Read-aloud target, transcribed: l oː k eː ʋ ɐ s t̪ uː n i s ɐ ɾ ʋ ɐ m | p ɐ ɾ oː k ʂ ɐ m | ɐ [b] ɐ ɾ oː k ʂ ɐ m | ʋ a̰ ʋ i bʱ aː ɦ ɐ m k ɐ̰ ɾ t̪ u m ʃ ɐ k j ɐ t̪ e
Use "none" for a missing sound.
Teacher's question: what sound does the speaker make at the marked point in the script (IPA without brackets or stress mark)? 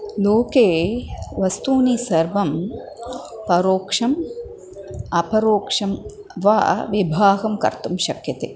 p